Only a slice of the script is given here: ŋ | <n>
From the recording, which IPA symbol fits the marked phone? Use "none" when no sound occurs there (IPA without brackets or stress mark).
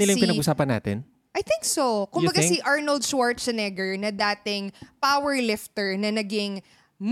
m